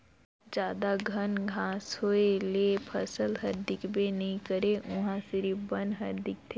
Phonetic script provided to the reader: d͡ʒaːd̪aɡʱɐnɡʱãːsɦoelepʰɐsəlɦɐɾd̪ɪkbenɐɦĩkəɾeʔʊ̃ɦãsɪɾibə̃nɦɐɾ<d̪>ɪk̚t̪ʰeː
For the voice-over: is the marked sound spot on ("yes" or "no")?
yes